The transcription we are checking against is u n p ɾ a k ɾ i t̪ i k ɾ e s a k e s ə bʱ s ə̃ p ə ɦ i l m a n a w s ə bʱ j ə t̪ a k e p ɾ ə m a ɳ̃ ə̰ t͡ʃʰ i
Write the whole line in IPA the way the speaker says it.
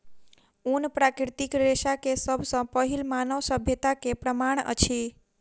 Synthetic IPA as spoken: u n p ɾ a k ɾ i t̪ i k ɾ e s a k e s ə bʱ s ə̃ p ə ɦ i l m a n ə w s ə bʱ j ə t̪ a k e p ɾ ə m a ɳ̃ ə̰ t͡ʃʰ i